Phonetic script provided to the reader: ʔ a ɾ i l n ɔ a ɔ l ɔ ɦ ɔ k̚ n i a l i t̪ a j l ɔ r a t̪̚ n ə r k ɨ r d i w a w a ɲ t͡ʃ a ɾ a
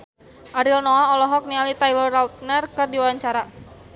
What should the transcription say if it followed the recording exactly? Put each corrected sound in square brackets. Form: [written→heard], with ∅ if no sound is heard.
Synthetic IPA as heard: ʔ a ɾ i l n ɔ a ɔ l ɔ ɦ ɔ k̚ n i a l i t̪ a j l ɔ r a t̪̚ n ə r k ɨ r d i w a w a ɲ t͡ʃ a ɾ a